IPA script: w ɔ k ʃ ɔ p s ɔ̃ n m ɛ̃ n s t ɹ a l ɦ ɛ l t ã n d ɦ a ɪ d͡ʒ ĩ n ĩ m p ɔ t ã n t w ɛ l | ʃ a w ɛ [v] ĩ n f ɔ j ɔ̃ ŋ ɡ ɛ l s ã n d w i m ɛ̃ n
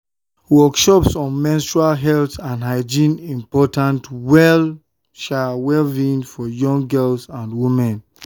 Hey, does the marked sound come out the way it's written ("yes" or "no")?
yes